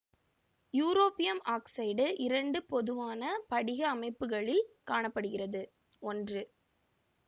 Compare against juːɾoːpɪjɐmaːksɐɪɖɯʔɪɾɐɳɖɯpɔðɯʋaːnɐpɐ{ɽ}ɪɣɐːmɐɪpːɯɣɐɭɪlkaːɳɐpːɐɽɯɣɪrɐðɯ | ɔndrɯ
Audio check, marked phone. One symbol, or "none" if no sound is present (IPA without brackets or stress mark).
ɽ